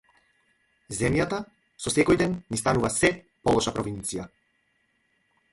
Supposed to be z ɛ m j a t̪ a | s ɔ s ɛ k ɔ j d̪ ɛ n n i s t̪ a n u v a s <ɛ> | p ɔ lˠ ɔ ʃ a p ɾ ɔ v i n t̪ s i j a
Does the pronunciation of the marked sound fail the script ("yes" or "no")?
no